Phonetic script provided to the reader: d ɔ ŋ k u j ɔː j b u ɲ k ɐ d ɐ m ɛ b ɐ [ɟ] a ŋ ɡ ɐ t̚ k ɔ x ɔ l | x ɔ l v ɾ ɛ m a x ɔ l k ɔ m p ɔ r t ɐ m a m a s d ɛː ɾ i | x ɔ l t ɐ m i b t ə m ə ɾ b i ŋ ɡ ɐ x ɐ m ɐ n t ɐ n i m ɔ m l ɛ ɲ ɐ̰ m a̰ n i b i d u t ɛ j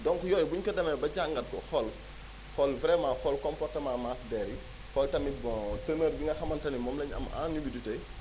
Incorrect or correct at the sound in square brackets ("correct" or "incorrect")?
correct